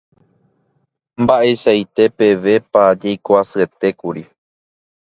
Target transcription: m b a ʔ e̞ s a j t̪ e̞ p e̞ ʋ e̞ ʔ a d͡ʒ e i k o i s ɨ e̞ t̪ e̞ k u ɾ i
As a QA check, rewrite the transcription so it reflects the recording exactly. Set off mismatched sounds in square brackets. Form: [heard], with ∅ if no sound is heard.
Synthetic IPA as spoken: m b a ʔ e̞ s a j t̪ e̞ p e̞ ʋ e̞ [p] a d͡ʒ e [j] k o [a] s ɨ e̞ t̪ e̞ k u ɾ i